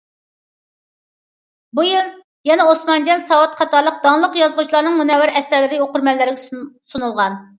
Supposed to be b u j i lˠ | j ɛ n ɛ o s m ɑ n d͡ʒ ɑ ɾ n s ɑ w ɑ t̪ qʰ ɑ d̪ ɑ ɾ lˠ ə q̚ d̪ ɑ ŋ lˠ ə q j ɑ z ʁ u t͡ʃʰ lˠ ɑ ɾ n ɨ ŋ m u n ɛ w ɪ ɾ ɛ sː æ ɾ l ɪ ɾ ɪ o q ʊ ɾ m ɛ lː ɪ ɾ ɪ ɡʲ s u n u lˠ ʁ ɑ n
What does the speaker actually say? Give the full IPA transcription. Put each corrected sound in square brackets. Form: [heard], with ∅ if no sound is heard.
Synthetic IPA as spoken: b u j i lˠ | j ɛ n ɛ o s m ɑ n d͡ʒ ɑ [∅] n s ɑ w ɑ t̪ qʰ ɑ [t̪] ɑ ɾ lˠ ə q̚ d̪ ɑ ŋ lˠ ə q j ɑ z ʁ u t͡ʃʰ lˠ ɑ ɾ n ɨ ŋ m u n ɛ w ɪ ɾ ɛ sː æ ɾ l ɪ ɾ ɪ o q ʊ ɾ m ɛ lː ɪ ɾ ɪ ɡʲ s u n u lˠ ʁ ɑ n